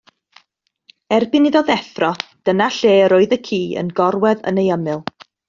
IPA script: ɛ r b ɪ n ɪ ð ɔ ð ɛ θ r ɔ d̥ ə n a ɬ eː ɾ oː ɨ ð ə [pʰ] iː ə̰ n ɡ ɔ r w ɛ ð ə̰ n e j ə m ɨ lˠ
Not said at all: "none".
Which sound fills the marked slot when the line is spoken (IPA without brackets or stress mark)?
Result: kʰ